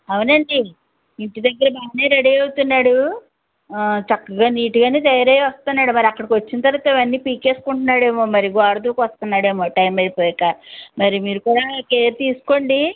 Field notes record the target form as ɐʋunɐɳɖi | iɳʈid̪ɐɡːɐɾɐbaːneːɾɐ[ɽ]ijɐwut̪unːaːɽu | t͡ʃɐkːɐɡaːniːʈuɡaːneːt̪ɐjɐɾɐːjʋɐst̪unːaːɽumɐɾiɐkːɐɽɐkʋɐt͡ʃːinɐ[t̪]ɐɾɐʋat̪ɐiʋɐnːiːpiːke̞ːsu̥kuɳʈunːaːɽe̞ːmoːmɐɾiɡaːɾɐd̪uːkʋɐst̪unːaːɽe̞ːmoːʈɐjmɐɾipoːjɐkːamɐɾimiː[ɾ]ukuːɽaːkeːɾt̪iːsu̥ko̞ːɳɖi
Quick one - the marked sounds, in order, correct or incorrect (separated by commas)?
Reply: correct, correct, correct